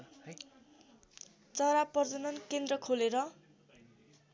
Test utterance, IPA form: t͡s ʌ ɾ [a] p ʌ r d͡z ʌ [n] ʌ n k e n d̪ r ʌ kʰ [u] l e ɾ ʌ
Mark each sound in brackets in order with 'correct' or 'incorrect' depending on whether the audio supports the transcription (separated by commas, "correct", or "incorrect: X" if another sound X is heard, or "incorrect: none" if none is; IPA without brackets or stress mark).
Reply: correct, correct, incorrect: o